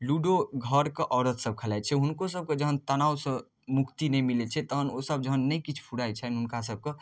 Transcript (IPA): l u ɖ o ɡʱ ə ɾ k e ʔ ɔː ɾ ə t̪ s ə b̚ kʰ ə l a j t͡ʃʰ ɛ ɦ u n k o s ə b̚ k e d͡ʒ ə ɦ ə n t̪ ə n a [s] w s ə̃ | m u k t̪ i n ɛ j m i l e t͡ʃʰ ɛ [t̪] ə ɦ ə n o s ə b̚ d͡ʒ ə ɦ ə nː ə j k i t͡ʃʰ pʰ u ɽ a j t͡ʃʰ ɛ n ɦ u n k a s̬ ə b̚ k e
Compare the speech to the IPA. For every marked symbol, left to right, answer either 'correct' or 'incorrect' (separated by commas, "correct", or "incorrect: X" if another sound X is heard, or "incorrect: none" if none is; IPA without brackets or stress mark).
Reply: incorrect: none, correct